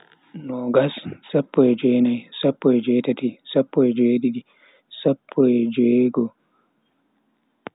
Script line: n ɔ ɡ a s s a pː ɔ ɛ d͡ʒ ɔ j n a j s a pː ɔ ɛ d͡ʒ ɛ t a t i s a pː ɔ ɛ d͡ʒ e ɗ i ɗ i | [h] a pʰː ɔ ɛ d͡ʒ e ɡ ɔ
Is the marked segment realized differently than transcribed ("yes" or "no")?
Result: yes